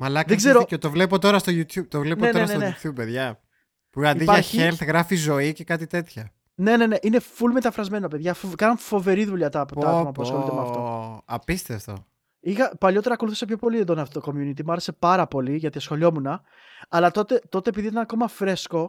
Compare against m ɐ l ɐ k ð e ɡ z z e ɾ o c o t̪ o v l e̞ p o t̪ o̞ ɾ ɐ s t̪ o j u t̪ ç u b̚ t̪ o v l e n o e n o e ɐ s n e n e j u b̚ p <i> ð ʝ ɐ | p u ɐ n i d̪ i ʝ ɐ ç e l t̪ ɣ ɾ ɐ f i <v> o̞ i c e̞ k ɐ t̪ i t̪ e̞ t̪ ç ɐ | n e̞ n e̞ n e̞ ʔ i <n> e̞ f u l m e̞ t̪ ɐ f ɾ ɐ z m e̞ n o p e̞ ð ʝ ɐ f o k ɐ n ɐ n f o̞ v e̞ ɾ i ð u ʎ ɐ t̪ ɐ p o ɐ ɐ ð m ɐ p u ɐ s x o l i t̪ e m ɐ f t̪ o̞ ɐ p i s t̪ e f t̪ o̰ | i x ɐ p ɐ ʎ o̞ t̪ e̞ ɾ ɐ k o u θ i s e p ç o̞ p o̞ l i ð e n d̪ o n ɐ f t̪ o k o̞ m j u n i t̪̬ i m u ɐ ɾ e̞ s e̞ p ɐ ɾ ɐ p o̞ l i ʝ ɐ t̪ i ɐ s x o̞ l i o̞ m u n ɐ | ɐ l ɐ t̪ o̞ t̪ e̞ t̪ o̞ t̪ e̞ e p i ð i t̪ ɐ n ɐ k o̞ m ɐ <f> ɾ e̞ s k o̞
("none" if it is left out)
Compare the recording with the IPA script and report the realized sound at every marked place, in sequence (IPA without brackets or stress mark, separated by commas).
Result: e, z, n, f